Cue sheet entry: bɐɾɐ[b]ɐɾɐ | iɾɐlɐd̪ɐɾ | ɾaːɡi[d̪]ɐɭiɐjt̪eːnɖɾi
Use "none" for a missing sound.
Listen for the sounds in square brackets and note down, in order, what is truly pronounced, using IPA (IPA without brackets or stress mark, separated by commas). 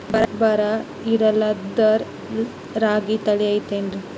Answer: b, t̪